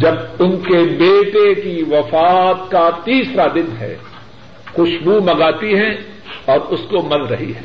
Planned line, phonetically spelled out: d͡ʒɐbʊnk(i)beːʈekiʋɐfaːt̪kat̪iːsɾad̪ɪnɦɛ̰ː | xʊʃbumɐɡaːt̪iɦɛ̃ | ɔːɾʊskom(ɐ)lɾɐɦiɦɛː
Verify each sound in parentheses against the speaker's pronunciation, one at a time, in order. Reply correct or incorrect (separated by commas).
incorrect, correct